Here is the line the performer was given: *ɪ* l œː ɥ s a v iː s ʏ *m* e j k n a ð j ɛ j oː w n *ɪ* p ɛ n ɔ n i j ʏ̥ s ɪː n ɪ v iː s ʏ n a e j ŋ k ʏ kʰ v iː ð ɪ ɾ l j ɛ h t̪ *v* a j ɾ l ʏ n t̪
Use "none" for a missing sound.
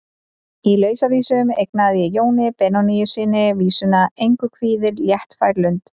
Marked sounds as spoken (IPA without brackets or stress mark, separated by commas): i, m, ɪ, f